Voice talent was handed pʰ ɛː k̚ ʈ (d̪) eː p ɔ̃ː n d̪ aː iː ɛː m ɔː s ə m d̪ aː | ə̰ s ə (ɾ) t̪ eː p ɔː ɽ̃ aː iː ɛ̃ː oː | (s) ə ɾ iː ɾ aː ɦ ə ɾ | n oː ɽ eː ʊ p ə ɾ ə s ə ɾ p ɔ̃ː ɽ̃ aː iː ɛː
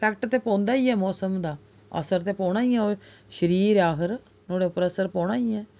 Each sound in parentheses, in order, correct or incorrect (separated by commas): incorrect, correct, incorrect